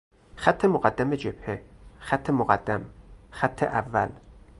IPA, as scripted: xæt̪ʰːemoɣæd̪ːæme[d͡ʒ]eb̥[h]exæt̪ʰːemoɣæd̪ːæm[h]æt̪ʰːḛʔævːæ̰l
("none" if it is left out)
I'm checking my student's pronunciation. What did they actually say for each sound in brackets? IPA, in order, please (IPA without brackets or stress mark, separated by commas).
d͡ʒ, h, x